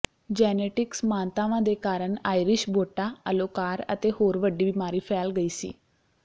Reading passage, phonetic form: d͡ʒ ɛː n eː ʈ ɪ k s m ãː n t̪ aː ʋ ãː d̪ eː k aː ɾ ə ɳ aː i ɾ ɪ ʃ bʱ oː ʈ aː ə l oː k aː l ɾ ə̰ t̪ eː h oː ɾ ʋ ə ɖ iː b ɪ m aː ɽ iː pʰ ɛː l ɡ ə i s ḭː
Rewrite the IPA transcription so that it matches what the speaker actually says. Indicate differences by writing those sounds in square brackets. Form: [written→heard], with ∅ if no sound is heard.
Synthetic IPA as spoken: d͡ʒ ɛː n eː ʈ ɪ k s m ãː n t̪ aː ʋ ãː d̪ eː k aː ɾ ə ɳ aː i ɾ ɪ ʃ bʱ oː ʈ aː ə l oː k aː [l→∅] ɾ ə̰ t̪ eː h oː ɾ ʋ ə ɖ iː b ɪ m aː [ɽ→ɾ] iː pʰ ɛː l ɡ ə [i→iː] s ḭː